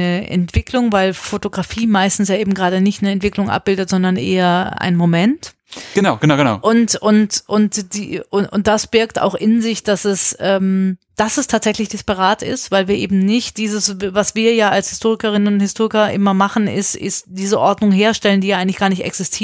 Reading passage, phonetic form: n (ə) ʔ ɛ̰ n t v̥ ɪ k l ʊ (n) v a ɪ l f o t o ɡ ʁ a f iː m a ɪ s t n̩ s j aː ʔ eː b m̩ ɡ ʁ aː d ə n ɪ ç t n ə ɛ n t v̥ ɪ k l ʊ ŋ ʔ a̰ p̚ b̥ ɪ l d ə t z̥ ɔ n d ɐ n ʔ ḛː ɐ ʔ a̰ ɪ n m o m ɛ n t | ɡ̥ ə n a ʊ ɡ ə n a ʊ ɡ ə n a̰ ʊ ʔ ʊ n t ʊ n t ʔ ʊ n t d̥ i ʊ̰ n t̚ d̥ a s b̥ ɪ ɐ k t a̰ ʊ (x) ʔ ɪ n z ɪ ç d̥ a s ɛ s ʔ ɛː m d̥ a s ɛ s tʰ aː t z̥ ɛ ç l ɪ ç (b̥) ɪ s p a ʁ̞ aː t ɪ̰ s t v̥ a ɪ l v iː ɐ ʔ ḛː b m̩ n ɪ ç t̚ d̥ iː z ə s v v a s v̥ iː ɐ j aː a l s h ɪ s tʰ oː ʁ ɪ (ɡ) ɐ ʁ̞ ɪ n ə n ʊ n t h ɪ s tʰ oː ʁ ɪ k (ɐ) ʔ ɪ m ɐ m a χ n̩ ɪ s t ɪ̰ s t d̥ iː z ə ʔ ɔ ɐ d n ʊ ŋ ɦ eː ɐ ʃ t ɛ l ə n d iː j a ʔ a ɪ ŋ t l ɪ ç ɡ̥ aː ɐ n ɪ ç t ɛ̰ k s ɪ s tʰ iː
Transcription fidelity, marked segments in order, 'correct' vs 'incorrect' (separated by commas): correct, incorrect, correct, incorrect, incorrect, correct